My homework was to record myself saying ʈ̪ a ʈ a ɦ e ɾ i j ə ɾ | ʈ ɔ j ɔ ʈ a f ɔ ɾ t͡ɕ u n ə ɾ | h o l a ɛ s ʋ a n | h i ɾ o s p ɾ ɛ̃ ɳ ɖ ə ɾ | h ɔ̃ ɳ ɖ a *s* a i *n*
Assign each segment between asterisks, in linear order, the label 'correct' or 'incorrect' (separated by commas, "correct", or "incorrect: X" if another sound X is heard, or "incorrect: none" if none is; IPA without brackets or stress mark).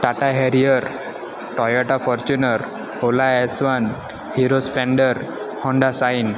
correct, correct